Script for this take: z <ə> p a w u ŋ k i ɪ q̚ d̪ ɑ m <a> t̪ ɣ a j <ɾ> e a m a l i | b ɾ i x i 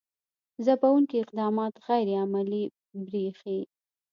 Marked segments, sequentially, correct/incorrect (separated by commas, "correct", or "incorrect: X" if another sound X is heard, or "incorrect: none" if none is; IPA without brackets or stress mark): incorrect: a, incorrect: ɑ, correct